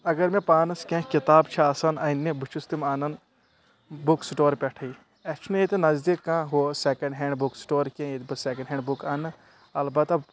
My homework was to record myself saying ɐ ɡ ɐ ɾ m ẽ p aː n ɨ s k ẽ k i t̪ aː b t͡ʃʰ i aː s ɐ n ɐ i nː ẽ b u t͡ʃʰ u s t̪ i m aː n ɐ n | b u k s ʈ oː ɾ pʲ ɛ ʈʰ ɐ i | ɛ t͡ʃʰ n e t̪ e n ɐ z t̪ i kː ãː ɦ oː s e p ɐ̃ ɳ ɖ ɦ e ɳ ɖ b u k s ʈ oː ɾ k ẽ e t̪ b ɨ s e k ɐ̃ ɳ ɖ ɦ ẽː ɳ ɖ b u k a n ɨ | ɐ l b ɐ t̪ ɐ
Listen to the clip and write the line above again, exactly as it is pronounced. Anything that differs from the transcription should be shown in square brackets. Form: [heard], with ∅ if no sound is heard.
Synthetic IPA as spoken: ɐ ɡ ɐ ɾ m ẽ p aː n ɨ s k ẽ k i t̪ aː b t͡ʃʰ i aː s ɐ n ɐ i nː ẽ b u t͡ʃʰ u s t̪ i m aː n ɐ n | b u k s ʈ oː ɾ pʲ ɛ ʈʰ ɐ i | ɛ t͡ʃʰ n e t̪ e n ɐ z [d̪] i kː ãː ɦ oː s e [k] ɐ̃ ɳ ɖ ɦ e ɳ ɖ b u k s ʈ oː ɾ k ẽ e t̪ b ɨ s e k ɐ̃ ɳ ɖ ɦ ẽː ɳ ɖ b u k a n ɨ | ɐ l b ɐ t̪ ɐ